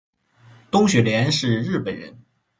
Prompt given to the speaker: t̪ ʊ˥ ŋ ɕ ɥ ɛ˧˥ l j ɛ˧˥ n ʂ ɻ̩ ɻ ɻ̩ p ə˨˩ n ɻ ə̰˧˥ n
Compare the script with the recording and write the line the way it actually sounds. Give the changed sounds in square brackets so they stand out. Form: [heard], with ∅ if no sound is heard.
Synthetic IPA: t̪ ʊ˥ ŋ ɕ ɥ [ɛ˨˩] l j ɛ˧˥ n ʂ ɻ̩ ɻ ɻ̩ p ə˨˩ n ɻ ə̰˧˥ n

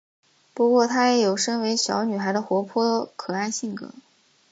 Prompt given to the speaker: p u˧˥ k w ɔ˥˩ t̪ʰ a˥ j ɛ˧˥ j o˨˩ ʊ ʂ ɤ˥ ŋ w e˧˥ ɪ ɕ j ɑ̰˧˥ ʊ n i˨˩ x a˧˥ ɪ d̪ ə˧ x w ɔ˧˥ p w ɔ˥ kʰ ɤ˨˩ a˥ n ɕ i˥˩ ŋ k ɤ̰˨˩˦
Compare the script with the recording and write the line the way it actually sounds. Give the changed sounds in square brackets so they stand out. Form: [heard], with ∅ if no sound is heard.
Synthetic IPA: p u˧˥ k w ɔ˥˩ t̪ʰ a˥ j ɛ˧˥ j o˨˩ ʊ ʂ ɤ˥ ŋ w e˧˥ ɪ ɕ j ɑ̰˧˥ ʊ n [y˨˩] x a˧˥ ɪ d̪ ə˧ x w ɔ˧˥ [pʰ] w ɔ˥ kʰ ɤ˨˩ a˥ n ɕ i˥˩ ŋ k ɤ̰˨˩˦

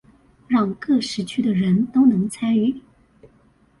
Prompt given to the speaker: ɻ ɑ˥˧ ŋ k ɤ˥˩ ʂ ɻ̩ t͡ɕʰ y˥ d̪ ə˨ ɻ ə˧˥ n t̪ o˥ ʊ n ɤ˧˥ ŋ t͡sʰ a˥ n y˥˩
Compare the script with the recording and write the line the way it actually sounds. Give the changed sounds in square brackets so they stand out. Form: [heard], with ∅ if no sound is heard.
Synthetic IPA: ɻ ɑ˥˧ ŋ k ɤ˥˩ ʂ ɻ̩ t͡ɕʰ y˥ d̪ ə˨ ɻ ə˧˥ n t̪ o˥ ʊ n ɤ˧˥ ŋ t͡sʰ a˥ n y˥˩

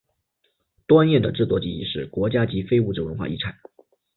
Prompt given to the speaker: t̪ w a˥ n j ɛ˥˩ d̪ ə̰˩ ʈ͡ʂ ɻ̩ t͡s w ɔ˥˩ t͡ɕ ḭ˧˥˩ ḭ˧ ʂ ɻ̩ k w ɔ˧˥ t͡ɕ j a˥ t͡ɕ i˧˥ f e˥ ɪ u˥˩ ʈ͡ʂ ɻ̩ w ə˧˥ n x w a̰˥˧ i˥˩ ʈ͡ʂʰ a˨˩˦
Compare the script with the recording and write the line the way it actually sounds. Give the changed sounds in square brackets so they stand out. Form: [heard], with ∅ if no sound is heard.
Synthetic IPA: t̪ w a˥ n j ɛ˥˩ d̪ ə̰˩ ʈ͡ʂ ɻ̩ t͡s w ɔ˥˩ t͡ɕ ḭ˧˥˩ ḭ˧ ʂ ɻ̩ k w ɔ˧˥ t͡ɕ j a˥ t͡ɕ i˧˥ f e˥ ɪ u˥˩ ʈ͡ʂ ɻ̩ w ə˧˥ n x w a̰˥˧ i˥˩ ʈ͡ʂʰ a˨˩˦

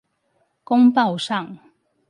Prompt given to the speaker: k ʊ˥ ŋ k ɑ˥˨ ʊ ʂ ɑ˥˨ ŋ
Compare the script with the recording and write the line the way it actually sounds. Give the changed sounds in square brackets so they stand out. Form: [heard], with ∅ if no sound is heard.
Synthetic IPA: k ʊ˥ ŋ [p] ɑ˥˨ ʊ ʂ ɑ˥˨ ŋ

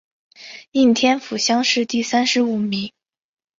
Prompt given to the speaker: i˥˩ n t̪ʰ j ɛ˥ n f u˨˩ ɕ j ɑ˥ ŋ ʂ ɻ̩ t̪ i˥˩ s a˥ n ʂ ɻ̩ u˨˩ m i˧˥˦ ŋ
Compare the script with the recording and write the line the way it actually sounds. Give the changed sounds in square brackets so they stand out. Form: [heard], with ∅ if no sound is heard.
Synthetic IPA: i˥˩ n t̪ʰ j ɛ˥ n f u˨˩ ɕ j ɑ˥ ŋ ʂ ɻ̩ t̪ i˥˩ s a˥ n ʂ ɻ̩ u˨˩ m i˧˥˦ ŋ

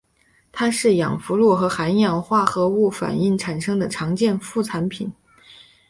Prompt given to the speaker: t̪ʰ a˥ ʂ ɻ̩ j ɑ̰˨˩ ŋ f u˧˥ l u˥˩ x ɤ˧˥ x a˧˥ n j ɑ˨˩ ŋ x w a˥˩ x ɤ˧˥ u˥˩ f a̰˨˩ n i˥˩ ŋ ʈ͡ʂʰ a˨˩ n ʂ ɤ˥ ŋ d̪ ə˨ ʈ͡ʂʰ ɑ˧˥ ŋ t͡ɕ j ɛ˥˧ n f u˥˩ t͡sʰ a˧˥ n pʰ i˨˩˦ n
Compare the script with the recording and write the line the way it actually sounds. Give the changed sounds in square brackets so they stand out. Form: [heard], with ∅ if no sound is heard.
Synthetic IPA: t̪ʰ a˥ ʂ ɻ̩ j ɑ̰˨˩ ŋ f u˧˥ l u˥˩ x ɤ˧˥ x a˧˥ n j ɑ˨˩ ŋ x w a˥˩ x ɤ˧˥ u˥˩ f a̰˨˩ n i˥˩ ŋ ʈ͡ʂʰ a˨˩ n ʂ ɤ˥ ŋ d̪ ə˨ ʈ͡ʂʰ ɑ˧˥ ŋ t͡ɕ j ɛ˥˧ n f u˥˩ t͡sʰ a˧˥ n pʰ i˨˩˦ n

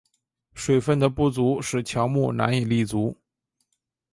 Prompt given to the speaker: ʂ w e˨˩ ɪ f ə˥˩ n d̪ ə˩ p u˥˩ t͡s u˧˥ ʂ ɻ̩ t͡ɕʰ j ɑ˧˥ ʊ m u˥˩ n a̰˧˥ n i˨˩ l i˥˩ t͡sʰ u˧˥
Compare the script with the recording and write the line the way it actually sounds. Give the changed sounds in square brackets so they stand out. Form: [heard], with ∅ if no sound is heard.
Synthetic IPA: ʂ w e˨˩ ɪ f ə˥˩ n d̪ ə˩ p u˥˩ t͡s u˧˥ ʂ ɻ̩ t͡ɕʰ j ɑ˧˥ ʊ m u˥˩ n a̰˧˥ n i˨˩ l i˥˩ [t͡s] u˧˥

